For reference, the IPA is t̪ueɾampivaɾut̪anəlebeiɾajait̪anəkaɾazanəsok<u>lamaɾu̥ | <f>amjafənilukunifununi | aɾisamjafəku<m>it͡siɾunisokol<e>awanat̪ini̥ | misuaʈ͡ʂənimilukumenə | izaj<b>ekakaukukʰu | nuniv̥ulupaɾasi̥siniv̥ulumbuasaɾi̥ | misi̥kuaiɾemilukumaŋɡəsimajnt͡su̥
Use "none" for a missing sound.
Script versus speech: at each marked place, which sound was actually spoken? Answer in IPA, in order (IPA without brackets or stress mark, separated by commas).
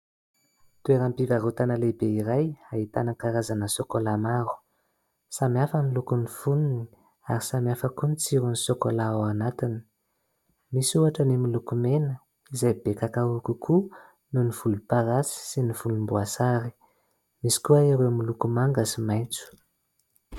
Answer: o, s, n, a, b